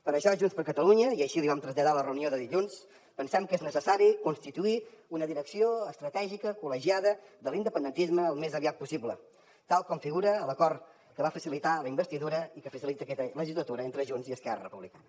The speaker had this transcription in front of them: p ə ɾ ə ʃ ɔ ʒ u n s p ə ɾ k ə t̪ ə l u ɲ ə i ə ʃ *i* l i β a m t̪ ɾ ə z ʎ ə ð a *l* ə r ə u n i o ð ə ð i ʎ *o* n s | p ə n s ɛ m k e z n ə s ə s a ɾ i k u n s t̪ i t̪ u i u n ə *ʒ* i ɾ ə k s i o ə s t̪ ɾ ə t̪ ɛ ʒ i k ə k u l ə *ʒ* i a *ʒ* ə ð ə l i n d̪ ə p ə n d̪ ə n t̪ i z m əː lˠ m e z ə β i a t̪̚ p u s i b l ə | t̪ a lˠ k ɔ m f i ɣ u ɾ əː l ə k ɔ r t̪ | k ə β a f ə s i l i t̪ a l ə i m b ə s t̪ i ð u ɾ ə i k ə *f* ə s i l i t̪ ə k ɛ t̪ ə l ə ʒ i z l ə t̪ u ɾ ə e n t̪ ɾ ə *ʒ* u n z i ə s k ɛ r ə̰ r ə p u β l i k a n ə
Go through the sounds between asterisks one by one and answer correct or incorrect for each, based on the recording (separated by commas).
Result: correct, correct, incorrect, incorrect, correct, incorrect, correct, correct